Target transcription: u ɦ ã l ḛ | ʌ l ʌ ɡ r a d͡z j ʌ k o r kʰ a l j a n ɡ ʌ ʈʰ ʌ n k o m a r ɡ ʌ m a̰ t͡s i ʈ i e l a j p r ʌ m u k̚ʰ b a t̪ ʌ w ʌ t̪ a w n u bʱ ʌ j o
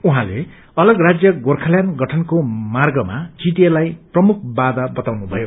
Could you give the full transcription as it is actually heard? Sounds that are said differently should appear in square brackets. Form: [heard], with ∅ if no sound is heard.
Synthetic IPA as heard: u ɦ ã l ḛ | ʌ l ʌ ɡ r a d͡z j ʌ [ɡ] o r kʰ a l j a n ɡ ʌ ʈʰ ʌ n k o m a r ɡ ʌ m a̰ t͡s i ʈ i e l a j p r ʌ m u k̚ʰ b a [d̪] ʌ [b] ʌ t̪ a w n u bʱ ʌ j o